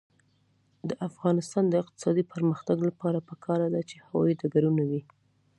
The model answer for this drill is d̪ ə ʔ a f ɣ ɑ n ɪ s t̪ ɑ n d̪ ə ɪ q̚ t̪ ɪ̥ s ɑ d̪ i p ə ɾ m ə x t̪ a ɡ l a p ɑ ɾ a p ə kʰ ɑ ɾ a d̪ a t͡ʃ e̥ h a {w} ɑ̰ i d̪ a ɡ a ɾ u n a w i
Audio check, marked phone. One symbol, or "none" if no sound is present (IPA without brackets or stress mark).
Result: w